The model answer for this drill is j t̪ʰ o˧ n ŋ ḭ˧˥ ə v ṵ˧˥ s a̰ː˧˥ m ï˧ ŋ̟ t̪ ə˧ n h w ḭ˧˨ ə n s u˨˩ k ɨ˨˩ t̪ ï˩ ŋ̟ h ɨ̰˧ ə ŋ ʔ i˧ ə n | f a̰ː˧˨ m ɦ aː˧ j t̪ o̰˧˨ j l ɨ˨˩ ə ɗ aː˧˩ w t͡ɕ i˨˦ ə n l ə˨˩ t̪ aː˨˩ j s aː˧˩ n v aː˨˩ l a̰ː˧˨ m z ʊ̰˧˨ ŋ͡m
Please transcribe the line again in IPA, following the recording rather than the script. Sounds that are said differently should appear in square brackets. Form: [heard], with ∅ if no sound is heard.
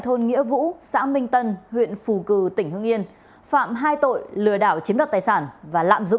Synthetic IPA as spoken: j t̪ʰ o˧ n ŋ ḭ˧˥ ə v ṵ˧˥ s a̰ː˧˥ m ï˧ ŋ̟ t̪ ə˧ n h w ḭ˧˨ ə n [f] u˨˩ k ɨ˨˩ t̪ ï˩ ŋ̟ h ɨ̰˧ ə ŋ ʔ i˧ ə n | f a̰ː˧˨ m ɦ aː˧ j t̪ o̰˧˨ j l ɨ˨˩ ə ɗ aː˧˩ w t͡ɕ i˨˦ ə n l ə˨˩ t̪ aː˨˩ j s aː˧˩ n v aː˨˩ l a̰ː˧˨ m z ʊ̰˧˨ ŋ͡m